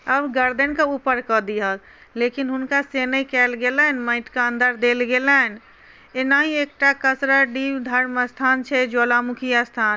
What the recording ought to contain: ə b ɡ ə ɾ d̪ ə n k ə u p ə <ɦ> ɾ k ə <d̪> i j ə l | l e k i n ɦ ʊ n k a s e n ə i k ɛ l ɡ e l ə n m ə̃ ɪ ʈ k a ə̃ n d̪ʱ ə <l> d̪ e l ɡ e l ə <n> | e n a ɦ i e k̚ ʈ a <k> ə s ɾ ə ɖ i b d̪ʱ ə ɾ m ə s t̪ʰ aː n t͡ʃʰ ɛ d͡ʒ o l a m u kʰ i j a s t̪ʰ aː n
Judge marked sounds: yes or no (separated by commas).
no, yes, no, yes, yes